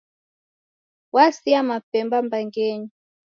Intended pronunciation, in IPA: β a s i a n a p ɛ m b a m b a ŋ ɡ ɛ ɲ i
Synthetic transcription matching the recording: w a s i a m a p ɛ m b a m b a ŋ ɡ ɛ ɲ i